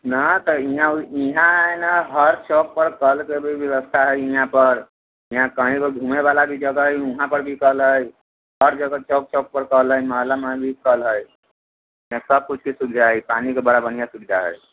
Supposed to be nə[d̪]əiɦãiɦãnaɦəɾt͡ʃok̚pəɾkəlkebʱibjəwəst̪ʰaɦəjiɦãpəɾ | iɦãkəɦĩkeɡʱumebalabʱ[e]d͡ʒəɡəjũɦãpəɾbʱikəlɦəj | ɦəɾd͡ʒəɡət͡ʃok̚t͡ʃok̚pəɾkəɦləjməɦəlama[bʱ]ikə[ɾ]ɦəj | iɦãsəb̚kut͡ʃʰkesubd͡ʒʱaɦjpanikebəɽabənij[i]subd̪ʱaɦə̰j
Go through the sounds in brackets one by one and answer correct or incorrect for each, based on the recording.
incorrect: t̪, incorrect: i, correct, incorrect: l, incorrect: a

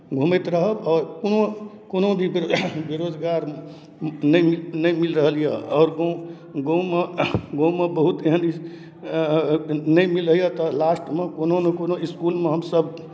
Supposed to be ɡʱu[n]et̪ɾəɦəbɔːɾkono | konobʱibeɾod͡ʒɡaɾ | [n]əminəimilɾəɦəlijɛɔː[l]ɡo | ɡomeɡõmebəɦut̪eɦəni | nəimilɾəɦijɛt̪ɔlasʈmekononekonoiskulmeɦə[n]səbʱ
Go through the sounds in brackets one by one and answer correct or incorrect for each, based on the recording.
incorrect: m, correct, incorrect: ɾ, incorrect: m

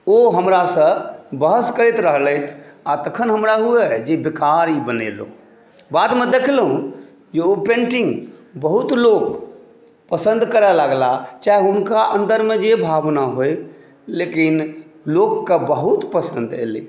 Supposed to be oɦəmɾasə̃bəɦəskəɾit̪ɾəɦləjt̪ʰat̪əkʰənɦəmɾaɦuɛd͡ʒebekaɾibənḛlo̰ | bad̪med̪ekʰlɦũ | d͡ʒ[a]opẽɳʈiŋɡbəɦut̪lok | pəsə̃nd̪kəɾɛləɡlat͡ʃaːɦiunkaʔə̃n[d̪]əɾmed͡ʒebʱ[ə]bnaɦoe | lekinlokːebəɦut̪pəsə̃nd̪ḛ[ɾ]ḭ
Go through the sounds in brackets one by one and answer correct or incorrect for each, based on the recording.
incorrect: e, correct, incorrect: a, incorrect: l

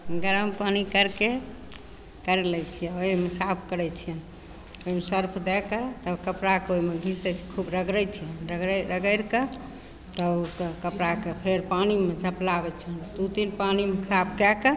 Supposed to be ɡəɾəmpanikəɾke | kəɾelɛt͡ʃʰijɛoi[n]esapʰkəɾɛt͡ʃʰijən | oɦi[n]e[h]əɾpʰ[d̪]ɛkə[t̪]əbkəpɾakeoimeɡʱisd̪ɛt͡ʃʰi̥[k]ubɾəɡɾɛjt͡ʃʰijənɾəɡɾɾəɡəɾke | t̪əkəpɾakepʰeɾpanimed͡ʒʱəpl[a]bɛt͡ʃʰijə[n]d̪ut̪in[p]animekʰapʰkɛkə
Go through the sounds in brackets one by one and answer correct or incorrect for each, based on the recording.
incorrect: m, incorrect: m, incorrect: s, correct, correct, incorrect: kʰ, correct, correct, correct

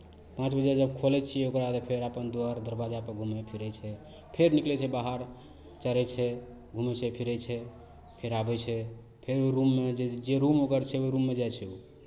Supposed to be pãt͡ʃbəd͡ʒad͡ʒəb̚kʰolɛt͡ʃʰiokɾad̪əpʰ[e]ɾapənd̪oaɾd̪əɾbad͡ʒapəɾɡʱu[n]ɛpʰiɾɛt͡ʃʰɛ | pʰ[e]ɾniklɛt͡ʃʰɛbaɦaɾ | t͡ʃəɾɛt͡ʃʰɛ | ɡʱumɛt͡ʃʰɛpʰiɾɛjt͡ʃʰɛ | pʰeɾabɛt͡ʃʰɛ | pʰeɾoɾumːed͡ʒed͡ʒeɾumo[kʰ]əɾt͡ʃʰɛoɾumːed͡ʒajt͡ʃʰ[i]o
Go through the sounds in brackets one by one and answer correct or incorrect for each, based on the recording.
correct, incorrect: m, correct, incorrect: k, incorrect: ɛ

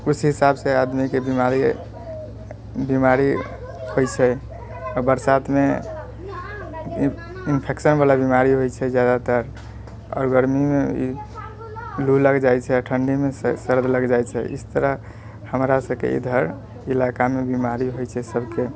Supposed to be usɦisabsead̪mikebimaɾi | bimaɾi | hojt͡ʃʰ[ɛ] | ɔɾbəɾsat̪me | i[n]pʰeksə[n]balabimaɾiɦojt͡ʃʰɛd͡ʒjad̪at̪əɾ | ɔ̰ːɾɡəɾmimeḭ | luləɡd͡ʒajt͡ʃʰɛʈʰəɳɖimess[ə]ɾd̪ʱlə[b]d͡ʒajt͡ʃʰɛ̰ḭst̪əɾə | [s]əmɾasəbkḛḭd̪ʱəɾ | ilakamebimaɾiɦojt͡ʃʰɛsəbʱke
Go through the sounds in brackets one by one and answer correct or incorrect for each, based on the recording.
correct, correct, correct, correct, incorrect: ɡ, incorrect: h

